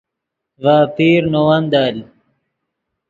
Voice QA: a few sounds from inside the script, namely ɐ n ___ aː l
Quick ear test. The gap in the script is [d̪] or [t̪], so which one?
d̪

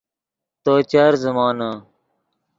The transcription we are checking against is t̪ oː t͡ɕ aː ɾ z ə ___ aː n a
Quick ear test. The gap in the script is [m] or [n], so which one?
m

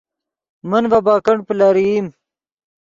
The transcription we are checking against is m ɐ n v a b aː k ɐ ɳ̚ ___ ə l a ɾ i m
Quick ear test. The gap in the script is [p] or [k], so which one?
p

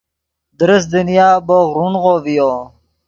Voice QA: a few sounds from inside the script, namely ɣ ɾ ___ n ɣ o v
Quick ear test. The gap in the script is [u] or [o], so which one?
u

